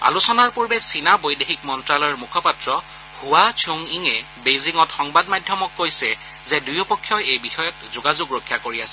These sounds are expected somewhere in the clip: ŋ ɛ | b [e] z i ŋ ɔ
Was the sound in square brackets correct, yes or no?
yes